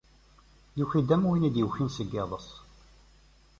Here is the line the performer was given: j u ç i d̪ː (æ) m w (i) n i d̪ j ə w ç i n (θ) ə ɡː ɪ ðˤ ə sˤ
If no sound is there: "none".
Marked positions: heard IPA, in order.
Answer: æ, i, s

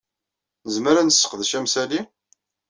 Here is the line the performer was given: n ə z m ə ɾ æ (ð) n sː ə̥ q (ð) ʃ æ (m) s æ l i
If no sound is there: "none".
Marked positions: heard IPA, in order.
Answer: none, ð, m

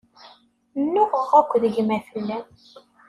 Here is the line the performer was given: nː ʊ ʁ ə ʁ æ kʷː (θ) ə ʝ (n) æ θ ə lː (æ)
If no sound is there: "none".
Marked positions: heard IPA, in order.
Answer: ð, m, æ

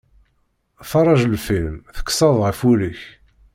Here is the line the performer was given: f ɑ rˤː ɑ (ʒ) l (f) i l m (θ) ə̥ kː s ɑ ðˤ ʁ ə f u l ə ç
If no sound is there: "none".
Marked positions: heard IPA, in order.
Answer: ʒ, f, θ

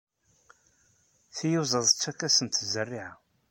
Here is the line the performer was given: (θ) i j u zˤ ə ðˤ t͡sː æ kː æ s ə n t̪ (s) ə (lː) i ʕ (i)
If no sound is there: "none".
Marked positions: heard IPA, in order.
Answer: θ, z, rː, a

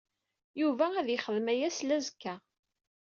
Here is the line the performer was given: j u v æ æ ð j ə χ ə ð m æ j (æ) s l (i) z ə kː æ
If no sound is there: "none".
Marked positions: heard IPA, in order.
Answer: æ, æ

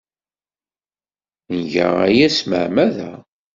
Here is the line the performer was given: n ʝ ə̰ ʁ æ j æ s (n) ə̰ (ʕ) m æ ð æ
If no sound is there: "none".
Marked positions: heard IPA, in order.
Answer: m, ʕ

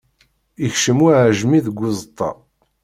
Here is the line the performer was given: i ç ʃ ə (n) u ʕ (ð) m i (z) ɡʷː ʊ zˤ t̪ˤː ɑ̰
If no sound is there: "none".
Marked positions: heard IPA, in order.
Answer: m, ʒ, ð

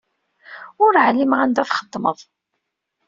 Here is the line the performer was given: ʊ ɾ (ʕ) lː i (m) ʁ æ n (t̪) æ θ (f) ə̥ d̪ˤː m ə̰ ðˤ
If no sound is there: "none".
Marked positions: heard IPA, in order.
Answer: ʕ, m, d̪, χ

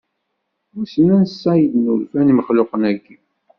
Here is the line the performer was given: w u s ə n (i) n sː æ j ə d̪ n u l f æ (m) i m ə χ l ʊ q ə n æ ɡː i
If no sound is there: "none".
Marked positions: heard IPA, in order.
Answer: æ, n

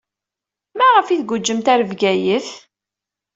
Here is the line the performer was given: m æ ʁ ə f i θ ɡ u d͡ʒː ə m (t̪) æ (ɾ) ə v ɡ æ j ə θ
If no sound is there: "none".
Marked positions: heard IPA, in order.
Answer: t̪, ɾ

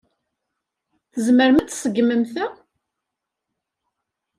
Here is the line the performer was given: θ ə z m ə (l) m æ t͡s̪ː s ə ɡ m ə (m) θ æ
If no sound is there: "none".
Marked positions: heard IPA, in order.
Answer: ɾ, m

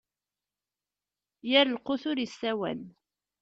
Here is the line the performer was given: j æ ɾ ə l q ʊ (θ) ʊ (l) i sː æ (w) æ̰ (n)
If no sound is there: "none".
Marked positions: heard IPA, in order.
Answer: θ, ɾ, w, n

